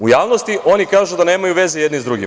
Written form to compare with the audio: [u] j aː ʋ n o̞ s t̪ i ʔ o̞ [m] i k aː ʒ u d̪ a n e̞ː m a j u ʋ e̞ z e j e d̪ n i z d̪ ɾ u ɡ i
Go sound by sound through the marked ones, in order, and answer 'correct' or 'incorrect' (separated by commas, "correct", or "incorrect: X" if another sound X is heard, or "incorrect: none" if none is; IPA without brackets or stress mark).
correct, incorrect: n